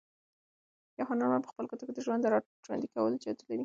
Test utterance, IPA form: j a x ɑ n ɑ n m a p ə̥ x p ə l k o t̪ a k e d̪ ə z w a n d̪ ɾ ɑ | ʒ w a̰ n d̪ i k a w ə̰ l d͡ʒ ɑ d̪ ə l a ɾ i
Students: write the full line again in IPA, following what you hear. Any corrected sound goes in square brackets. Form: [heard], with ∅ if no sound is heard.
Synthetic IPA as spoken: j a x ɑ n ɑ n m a p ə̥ x p ə l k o t̪ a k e d̪ ə [ʒ] w a n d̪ ɾ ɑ | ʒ w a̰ n d̪ i k a w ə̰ l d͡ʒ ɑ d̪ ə l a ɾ i